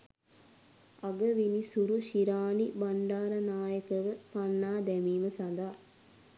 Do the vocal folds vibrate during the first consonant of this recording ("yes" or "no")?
yes